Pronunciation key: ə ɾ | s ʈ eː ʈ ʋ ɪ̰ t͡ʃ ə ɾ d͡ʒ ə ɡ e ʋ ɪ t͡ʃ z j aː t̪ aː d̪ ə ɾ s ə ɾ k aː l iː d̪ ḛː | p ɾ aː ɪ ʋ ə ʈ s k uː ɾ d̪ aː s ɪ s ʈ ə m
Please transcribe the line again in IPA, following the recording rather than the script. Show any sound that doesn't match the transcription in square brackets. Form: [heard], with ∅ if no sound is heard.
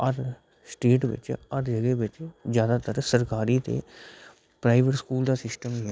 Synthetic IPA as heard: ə ɾ | s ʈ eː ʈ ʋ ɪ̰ t͡ʃ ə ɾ d͡ʒ ə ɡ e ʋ ɪ t͡ʃ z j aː [d̪] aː [t̪] ə ɾ s ə ɾ k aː [ɾ] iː [t̪] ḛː | p ɾ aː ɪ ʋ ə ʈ s k uː [l] d̪ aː s ɪ s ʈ ə m